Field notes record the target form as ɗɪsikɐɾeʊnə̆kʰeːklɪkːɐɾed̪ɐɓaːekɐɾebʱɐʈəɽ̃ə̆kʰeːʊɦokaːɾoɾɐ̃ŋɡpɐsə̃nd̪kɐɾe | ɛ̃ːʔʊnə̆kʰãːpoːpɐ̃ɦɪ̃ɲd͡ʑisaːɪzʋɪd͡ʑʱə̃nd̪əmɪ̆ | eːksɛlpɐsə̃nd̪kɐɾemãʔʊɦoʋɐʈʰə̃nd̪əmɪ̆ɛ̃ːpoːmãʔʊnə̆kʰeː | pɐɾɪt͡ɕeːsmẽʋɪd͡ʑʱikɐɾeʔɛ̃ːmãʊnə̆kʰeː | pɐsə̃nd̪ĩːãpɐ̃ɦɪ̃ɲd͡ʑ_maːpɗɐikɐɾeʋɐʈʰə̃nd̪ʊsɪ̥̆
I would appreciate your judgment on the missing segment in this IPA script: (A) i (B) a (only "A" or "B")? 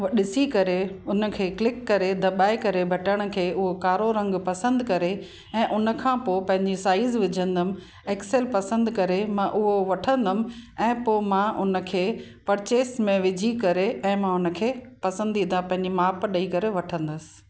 A